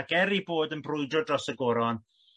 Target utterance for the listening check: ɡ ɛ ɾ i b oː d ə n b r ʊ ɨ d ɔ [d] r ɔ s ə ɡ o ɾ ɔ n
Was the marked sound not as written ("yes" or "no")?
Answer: no